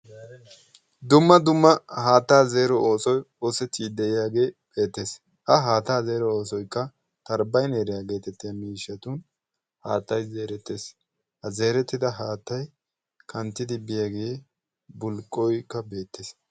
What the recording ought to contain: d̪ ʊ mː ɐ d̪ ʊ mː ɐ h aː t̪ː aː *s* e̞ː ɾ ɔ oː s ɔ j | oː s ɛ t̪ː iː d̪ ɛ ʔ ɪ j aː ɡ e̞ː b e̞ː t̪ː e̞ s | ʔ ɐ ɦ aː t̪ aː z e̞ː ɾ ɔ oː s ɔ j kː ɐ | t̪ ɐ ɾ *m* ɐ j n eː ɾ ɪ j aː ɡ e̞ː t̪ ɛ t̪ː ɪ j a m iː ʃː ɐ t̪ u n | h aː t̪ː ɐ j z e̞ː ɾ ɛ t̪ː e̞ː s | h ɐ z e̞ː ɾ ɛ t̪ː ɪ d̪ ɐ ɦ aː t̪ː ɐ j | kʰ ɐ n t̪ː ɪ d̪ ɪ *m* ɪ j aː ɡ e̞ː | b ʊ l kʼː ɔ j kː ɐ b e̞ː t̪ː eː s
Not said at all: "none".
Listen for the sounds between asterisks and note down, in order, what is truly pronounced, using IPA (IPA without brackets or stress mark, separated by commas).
z, b, b